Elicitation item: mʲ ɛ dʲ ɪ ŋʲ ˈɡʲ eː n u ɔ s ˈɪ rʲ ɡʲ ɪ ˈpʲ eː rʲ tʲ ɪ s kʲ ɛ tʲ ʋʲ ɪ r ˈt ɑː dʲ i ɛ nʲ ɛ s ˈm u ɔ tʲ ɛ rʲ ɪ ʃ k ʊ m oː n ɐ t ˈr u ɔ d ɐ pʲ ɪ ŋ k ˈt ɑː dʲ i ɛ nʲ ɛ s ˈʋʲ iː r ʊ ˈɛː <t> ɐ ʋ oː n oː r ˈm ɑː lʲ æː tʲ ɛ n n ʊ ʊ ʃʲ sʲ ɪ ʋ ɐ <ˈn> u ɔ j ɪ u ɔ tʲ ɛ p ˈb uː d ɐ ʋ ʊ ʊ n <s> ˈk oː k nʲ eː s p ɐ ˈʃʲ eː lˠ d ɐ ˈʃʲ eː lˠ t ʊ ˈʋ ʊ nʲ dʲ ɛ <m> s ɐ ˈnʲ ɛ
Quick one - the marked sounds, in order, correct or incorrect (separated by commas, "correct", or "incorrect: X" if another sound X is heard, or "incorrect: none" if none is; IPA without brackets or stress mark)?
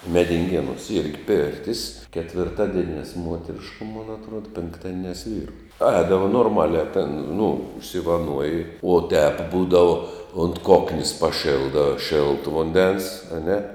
incorrect: d, correct, incorrect: t, incorrect: n